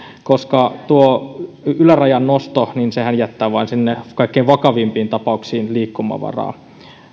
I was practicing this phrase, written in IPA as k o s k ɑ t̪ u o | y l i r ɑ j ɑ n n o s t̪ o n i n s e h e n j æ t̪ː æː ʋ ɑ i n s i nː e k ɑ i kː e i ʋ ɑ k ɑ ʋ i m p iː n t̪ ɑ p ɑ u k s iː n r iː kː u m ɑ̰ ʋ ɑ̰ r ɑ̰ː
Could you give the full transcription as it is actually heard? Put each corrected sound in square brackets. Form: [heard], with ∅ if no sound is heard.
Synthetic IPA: k o s k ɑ t̪ u o | y l [æ] r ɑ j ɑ n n o s t̪ o n i n s e h [æ] n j æ t̪ː æː ʋ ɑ i n s i nː e k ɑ i kː e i ʋ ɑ k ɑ ʋ i m p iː n t̪ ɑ p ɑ u k s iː n [l] iː kː u m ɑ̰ ʋ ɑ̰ r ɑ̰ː